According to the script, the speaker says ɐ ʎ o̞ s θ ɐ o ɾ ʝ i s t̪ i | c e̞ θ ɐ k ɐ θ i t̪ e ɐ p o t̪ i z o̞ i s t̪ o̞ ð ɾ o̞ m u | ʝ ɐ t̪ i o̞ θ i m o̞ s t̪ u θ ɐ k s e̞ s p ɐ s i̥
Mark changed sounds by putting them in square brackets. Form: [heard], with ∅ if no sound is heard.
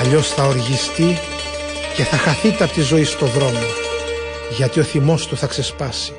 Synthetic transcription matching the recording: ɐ ʎ o̞ s θ ɐ o ɾ ʝ i s t̪ i | c e̞ θ ɐ [x] ɐ θ i t̪ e ɐ p o t̪ i z o̞ i s t̪ o̞ ð ɾ o̞ m [o] | ʝ ɐ t̪ i o̞ θ i m o̞ s t̪ u θ ɐ k s e̞ s p ɐ s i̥